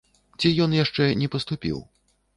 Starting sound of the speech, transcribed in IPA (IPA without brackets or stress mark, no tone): t͡sʲ